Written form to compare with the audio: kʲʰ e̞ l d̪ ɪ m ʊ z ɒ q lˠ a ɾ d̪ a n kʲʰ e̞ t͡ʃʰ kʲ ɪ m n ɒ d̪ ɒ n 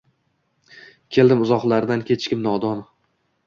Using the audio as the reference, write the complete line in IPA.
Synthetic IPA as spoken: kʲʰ e̞ l d̪ ɪ m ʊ z ɒ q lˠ a ɾ d̪ a n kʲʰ e̞ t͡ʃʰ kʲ ɪ m n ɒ d̪ ɒ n